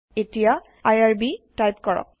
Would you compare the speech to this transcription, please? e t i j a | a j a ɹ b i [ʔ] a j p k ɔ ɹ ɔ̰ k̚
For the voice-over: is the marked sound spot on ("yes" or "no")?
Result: no